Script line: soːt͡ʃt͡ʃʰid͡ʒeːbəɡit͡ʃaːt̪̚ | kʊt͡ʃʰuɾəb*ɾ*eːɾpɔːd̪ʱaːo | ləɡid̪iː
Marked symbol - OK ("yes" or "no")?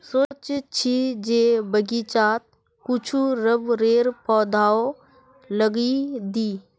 yes